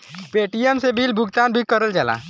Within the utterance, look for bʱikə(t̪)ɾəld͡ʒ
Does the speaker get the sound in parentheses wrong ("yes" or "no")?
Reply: yes